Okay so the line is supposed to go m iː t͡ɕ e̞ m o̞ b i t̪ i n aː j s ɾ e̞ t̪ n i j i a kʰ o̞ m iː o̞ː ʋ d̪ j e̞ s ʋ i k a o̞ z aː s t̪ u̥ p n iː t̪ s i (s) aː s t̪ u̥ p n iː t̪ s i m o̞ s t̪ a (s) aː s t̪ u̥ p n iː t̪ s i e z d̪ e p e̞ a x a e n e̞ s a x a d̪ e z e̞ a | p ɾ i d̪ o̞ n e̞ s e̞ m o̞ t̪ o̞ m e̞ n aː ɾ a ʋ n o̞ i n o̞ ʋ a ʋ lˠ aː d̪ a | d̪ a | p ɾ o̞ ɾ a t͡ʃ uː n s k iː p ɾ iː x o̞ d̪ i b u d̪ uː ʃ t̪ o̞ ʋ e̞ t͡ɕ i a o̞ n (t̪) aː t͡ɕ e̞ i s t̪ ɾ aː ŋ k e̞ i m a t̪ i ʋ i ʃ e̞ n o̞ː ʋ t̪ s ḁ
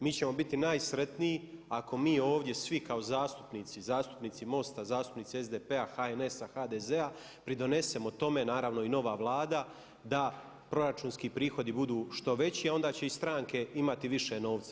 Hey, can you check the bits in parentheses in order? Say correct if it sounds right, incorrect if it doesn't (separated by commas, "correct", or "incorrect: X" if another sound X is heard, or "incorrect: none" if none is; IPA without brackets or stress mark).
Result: incorrect: z, incorrect: z, incorrect: d̪